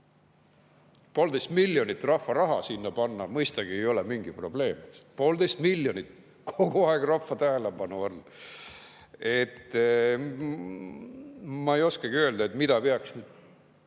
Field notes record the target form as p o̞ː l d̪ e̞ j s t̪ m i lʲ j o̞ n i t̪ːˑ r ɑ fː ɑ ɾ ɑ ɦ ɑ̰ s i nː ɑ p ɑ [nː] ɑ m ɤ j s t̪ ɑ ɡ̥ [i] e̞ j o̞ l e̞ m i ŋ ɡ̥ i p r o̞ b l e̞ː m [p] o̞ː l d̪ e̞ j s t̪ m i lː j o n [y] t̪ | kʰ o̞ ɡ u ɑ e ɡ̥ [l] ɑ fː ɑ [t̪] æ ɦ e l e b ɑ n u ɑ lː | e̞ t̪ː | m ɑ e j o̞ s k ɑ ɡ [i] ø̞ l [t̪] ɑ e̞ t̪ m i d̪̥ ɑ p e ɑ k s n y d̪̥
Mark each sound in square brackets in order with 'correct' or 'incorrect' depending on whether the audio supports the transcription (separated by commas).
correct, correct, correct, incorrect, incorrect, correct, correct, incorrect